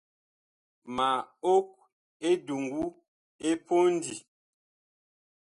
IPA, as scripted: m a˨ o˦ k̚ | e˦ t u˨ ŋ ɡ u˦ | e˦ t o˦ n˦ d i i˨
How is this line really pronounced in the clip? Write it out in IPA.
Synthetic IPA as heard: m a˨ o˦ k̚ | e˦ d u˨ ŋ ɡ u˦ | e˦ p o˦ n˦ d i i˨